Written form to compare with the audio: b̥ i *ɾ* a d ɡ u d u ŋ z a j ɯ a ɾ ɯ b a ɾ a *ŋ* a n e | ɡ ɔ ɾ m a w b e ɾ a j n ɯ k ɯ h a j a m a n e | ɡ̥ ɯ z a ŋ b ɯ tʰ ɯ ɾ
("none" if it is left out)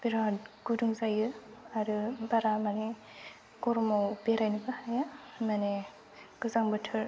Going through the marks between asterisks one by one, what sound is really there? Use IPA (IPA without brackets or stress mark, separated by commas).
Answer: ɾ, m